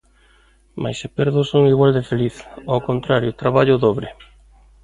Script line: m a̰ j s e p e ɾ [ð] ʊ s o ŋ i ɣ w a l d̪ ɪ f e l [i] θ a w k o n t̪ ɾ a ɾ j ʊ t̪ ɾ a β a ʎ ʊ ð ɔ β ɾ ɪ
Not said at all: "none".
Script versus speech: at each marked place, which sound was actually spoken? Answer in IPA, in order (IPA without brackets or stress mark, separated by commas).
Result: ð, i